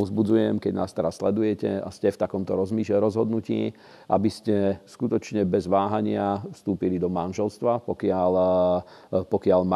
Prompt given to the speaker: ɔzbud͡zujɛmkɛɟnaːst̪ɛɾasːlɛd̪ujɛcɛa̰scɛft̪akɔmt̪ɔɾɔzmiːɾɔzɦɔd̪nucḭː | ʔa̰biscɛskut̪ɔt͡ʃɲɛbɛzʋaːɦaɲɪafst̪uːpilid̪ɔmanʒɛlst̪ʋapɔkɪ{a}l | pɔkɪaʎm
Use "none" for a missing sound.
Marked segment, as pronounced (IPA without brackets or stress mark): a